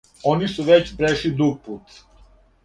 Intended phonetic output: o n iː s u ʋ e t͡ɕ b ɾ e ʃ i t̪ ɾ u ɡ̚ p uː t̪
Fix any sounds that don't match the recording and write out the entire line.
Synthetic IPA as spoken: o n i s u ʋ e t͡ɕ b ɾ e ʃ i d̪ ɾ u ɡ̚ p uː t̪